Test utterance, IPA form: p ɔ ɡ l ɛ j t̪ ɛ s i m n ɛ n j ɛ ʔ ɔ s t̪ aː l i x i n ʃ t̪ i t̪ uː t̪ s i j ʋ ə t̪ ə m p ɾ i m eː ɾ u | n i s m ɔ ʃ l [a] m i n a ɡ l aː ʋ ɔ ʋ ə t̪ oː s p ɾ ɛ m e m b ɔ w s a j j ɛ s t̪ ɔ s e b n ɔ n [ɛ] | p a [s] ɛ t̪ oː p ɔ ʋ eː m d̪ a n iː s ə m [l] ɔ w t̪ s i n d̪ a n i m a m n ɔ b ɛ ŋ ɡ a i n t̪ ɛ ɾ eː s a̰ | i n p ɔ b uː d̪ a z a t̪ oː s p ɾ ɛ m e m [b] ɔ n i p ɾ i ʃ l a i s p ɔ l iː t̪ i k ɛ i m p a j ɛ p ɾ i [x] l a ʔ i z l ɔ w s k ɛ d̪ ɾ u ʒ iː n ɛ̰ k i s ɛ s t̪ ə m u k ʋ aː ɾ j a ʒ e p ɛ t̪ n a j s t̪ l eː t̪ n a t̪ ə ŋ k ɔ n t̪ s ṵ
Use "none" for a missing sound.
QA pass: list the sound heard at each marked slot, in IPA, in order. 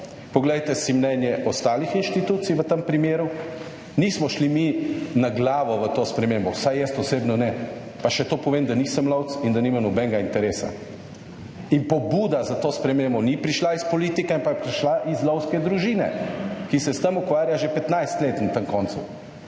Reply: i, ɛ, ʃ, l, b, ʃ

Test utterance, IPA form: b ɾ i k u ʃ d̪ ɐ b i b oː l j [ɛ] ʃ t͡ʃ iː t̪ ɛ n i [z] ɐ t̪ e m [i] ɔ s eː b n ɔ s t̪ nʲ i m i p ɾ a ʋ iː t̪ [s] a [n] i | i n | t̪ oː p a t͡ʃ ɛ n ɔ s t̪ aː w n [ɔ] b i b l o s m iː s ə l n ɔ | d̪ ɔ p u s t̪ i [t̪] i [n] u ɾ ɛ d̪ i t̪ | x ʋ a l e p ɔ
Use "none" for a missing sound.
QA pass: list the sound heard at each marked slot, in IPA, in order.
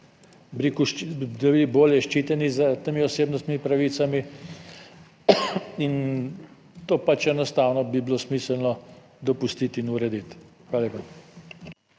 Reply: ɛ, z, i, s, m, ɔ, t̪, n

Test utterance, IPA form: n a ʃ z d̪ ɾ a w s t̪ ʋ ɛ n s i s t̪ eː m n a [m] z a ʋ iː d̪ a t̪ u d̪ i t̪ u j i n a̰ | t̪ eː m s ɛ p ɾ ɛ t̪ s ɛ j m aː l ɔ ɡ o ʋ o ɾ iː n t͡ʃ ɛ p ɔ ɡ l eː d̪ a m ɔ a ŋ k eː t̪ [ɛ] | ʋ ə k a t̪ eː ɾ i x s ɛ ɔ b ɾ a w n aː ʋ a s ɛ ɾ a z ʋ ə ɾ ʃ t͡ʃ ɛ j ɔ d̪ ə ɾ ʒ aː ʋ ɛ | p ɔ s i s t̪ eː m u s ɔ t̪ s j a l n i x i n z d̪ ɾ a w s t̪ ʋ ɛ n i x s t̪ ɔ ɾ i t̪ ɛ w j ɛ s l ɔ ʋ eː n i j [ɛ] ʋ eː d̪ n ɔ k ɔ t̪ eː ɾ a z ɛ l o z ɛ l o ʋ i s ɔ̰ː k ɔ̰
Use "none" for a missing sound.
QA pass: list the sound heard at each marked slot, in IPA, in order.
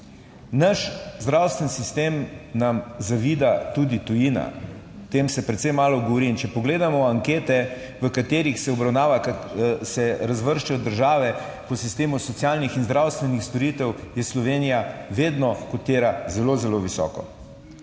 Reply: m, ɛ, a

